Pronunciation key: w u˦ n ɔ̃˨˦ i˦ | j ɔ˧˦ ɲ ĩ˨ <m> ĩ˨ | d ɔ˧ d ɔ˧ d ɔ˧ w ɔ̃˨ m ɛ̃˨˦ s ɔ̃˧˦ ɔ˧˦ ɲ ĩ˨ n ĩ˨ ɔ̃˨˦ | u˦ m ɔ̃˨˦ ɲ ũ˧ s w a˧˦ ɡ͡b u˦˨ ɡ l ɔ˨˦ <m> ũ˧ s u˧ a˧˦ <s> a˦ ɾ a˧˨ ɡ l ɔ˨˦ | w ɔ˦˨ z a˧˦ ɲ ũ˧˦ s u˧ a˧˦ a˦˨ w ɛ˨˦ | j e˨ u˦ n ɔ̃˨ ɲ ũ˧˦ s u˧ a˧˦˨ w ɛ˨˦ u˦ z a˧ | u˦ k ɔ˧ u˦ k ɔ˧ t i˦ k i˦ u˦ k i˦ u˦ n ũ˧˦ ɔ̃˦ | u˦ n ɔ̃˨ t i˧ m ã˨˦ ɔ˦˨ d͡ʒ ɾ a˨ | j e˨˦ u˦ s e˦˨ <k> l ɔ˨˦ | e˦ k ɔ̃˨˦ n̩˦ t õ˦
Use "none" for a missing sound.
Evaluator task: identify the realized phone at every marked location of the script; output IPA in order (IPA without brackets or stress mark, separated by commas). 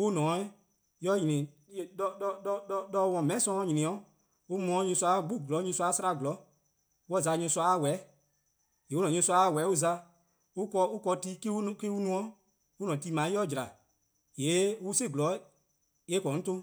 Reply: n, ɲ, s, ɡ